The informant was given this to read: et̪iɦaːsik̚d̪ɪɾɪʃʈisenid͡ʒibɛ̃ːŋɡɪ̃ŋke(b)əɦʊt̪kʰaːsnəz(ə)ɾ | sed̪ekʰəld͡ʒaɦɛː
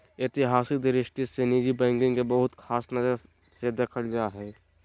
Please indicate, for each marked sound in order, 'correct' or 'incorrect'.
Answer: correct, correct

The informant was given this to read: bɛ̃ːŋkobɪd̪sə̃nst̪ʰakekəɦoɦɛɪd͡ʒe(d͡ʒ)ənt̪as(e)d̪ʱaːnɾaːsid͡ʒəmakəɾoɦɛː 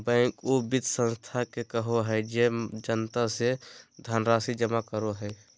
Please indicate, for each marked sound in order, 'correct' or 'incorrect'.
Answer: correct, correct

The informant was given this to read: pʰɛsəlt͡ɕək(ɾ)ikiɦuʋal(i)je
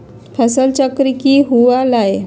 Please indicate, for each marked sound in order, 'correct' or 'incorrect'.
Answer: correct, incorrect: a

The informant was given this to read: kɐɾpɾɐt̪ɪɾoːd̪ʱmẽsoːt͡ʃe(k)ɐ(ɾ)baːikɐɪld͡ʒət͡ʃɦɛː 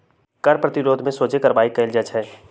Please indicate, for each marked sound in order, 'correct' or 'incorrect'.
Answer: correct, correct

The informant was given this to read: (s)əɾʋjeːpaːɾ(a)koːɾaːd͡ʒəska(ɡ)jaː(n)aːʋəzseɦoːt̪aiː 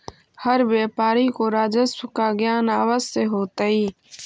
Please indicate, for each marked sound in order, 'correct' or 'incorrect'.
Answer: incorrect: h, incorrect: i, correct, correct

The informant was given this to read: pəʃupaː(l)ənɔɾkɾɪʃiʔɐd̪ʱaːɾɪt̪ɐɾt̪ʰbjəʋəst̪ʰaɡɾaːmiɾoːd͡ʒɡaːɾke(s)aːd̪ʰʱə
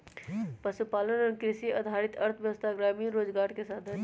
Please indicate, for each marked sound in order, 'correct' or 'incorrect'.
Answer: correct, correct

